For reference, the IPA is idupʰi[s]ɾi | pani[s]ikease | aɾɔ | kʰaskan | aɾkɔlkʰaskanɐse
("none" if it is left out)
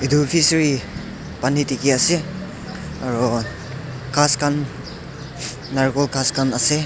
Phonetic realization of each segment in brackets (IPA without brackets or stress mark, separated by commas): s, t